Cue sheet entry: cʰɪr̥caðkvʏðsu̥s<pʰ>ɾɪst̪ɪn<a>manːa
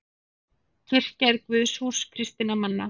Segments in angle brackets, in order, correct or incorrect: incorrect, correct

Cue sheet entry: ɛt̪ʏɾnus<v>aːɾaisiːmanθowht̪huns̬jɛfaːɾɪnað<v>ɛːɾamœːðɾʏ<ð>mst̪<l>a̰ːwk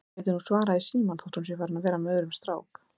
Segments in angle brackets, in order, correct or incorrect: correct, correct, incorrect, incorrect

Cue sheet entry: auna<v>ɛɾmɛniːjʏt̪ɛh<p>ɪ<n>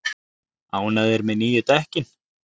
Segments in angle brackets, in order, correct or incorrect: incorrect, incorrect, correct

